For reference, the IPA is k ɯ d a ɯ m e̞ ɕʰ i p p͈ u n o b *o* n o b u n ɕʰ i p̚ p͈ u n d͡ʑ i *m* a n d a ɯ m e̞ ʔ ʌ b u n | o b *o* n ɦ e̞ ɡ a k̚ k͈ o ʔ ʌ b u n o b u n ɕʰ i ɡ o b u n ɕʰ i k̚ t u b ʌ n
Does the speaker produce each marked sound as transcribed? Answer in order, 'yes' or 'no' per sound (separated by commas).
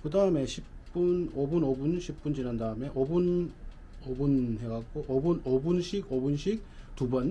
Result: no, no, no